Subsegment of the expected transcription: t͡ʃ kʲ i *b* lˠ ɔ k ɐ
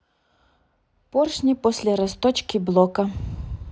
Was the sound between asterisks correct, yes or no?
yes